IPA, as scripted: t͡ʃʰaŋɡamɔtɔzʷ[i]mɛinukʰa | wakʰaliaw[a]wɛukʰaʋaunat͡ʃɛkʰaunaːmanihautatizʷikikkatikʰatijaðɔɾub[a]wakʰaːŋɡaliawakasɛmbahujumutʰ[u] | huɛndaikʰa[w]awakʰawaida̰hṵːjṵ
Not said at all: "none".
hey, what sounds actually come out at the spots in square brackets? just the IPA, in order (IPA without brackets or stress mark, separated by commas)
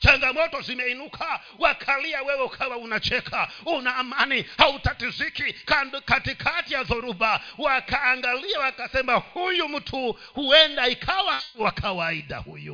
i, ɛ, a, u, w